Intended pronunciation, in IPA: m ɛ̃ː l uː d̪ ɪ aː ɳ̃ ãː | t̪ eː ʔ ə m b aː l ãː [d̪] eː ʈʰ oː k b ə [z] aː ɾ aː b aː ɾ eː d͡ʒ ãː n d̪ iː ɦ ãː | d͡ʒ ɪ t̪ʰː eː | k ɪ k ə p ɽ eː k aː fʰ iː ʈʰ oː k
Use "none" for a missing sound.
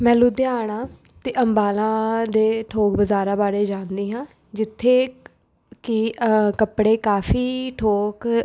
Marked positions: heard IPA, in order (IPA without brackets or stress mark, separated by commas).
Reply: d̪, z